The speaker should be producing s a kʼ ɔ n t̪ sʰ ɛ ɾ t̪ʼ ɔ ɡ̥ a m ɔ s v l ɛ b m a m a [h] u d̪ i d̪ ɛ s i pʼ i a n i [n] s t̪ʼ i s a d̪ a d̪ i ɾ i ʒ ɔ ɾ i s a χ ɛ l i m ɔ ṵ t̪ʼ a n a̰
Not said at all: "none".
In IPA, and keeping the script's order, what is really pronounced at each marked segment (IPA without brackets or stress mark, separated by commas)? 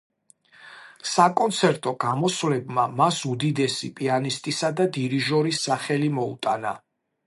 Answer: s, none